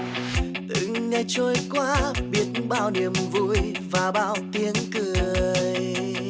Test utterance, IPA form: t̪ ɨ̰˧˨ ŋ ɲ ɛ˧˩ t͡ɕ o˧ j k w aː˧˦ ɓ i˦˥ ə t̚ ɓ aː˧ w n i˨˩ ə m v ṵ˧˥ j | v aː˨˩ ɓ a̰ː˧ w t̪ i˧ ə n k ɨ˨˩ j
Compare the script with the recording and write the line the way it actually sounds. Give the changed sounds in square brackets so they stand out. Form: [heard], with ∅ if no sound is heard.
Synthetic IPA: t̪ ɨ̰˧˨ ŋ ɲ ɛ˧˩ t͡ɕ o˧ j k w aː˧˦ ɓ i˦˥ ə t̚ ɓ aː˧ w n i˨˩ ə m v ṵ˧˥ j | v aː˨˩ ɓ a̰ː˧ w t̪ i˧ ə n k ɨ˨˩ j